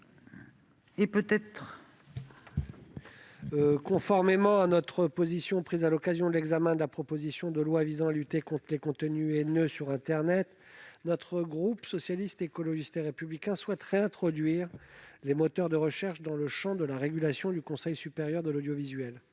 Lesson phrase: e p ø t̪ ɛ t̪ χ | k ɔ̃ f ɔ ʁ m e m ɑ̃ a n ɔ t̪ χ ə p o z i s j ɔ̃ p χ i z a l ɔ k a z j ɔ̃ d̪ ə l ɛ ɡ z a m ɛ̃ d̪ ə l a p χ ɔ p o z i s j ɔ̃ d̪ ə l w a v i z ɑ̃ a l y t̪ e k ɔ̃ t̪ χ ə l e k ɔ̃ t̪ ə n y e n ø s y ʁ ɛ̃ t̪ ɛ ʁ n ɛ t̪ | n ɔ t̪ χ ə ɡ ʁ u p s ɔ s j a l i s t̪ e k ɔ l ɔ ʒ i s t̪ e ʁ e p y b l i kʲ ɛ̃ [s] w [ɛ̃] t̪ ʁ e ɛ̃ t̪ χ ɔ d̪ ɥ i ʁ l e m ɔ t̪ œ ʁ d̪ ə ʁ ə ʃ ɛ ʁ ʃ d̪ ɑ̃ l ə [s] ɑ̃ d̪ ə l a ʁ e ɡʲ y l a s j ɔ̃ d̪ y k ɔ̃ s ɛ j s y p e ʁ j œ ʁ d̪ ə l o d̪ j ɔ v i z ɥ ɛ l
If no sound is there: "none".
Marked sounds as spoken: s, ɛ, ʃ

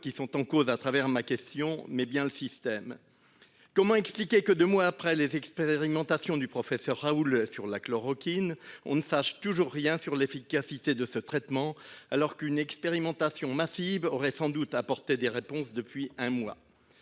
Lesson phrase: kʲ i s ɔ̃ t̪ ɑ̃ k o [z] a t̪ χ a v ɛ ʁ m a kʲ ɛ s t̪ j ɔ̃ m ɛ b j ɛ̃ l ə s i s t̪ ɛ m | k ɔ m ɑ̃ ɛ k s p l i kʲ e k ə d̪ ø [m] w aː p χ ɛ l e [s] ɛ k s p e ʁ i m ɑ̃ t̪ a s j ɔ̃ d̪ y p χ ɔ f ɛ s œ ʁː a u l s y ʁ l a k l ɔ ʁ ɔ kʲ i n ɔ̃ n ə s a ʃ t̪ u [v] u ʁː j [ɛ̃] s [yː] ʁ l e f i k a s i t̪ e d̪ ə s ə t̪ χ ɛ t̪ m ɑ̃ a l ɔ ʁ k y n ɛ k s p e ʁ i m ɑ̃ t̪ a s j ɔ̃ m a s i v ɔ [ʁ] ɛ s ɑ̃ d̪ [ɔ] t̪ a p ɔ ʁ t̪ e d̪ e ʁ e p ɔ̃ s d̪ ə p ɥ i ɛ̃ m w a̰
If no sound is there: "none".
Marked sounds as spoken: z, m, z, ʒ, ɛ̃, y, ʁ, u

